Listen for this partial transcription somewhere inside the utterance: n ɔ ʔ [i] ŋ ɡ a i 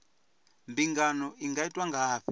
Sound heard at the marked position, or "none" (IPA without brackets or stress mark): i